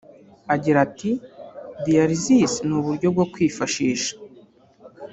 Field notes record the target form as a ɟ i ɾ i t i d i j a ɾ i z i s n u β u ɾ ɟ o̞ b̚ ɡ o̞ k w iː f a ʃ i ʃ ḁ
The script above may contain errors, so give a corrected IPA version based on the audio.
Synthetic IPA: a ɟ i ɾ a t i d i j a ɾ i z i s n u β u ɾ ɟ o̞ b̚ ɡ o̞ k w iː f a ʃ iː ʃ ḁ